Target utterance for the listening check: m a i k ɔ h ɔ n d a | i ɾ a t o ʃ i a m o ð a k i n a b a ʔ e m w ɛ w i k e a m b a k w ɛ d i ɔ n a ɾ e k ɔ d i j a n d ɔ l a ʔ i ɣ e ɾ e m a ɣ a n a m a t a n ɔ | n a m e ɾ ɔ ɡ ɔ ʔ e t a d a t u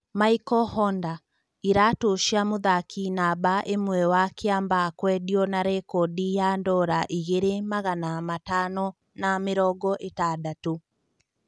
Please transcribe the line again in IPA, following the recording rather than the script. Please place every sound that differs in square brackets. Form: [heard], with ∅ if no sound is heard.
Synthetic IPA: m a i k ɔ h ɔ n d a | i ɾ a t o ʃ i a m o ð a k i n a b a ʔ e m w ɛ w [a] k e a m b a k w ɛ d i ɔ n a ɾ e k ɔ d i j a n d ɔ [ɾ] a ʔ i ɣ e ɾ e m a ɣ a n a m a t a n ɔ | n a m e ɾ ɔ ɡ ɔ ʔ e t a d a t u

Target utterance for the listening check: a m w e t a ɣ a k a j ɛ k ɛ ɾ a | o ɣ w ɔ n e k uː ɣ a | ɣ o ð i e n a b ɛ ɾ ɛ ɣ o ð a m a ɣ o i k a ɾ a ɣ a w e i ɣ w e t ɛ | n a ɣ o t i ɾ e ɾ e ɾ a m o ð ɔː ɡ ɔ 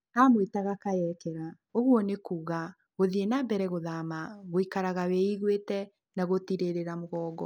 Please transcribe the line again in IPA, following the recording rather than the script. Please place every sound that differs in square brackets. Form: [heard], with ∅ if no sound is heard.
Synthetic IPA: a m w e t a ɣ a k a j ɛ k ɛ ɾ a | o ɣ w ɔ n e k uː ɣ a | ɣ o ð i e n a b ɛ ɾ ɛ ɣ o ð a m a ɣ o i k a ɾ a ɣ a w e i ɣ w e t ɛ | n a ɣ o t i ɾ e ɾ e ɾ a m o [ɣ] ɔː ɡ ɔ

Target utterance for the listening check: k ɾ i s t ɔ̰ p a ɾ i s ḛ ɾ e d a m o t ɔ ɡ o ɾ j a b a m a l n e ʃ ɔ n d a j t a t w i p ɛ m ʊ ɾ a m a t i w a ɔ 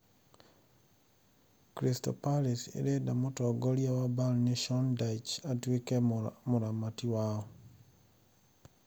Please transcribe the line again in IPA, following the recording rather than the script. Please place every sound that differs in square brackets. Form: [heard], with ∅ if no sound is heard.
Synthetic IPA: k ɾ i s t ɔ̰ p a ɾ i s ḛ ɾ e d a m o t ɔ ɡ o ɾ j a [w] a [b] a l n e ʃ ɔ n d a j [t͡ʃ] a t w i [k] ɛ m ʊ ɾ a m a t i w a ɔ

